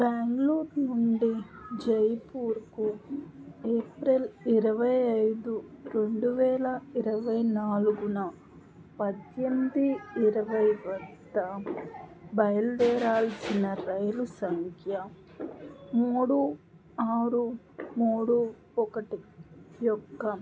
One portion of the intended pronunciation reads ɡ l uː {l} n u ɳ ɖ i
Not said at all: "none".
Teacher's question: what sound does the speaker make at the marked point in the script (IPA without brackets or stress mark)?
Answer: ɾ